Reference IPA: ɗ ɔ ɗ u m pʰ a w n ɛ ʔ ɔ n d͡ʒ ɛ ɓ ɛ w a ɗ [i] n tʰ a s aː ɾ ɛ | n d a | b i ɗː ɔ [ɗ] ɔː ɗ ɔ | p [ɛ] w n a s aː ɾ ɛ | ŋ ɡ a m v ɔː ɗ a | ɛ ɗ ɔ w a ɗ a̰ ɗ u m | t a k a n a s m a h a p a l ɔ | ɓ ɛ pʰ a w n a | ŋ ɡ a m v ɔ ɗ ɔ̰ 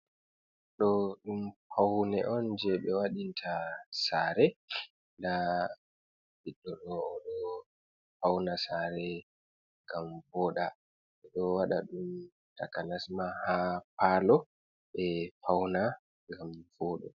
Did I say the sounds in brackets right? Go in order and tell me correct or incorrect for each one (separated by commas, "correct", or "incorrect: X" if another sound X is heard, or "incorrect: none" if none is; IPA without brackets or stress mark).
correct, correct, incorrect: a